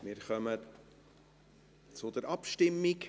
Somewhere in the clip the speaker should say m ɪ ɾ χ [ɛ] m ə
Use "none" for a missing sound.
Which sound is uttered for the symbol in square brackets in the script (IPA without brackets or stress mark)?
œ